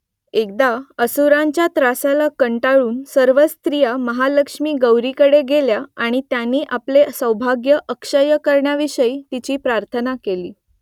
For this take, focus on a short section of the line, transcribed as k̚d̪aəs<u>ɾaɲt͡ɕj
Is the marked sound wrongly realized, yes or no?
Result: no